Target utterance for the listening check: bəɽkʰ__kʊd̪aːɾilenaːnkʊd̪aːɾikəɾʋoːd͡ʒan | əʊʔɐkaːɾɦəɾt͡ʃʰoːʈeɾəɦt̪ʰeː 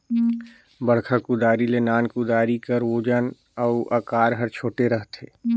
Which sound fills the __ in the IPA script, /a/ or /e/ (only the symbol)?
a